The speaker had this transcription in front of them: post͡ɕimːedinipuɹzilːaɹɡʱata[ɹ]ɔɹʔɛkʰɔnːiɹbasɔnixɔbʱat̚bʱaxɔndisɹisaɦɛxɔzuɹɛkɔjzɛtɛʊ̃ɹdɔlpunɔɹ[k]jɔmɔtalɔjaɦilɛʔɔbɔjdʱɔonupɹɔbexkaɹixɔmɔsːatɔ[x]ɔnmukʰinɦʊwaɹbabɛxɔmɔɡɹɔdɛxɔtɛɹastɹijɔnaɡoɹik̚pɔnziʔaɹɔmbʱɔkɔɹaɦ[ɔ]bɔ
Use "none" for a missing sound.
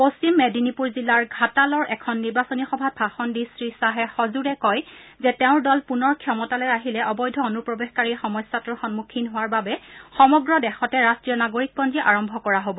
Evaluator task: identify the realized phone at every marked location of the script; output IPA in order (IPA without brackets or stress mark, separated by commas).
l, kʰ, x, o